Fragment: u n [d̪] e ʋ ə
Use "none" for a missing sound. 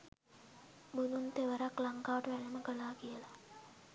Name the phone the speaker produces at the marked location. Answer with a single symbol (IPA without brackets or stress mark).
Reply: t̪